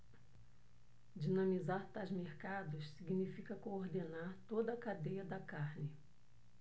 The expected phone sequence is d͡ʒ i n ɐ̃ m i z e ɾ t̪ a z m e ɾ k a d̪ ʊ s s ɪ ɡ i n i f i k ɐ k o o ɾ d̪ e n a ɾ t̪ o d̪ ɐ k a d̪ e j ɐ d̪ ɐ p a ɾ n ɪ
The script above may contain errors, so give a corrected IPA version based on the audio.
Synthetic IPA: d͡ʒ i n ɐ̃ m i z a ɾ t̪ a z m e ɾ k a d̪ ʊ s s i ɡ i n i f i k ɐ k o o ɾ d̪ e n a ɾ t̪ o d̪ ɐ k a d̪ e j ɐ d̪ ɐ k a ɾ n ɪ